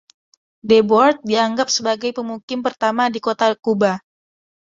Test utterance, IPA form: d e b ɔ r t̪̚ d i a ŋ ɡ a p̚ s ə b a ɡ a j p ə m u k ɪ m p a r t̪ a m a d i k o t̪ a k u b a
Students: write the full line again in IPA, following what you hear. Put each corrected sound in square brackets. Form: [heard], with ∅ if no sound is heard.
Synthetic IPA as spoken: d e b ɔ r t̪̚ d i a ŋ ɡ a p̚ s ə b a ɡ a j p ə m u k ɪ m p [ə] r t̪ a m a d i k o t̪ a k u b a